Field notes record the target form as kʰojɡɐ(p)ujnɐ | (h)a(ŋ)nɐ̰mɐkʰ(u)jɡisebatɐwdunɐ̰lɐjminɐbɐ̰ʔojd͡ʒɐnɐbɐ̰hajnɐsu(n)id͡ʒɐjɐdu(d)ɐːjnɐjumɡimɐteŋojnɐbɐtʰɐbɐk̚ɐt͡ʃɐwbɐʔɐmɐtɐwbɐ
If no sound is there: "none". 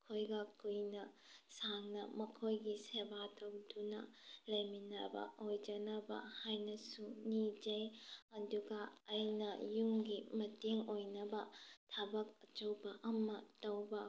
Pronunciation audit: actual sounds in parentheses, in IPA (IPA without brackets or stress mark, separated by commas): k, s, ŋ, o, n, ɡ